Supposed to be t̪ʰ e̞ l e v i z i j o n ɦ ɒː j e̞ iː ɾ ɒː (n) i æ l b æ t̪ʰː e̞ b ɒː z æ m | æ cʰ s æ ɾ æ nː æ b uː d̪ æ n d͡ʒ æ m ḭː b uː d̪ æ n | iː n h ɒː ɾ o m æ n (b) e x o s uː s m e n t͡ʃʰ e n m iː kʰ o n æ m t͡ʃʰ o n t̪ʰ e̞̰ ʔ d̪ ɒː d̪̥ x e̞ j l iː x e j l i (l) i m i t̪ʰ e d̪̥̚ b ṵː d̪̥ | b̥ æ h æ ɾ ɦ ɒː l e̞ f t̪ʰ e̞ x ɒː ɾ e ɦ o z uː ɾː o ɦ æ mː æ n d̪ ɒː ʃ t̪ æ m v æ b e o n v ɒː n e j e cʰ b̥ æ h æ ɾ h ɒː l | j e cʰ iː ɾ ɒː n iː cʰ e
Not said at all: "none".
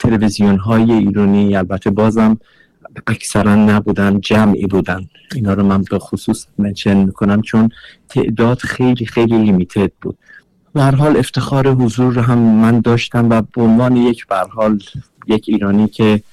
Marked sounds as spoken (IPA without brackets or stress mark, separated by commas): n, b, l